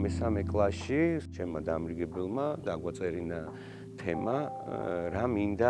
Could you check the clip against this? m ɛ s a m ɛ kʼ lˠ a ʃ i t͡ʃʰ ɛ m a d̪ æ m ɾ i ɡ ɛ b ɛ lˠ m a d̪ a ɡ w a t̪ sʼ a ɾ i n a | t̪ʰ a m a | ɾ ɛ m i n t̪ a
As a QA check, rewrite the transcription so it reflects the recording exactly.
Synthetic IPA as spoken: m ɛ s a m ɛ kʼ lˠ a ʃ i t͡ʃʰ ɛ m a d̪ a m ɾ i ɡ ɛ b ɛ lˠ m a d̪ a ɡ w a t̪ sʼ ɛ ɾ i n a | t̪ʰ ɛ m a | ɾ a m i n d̪ a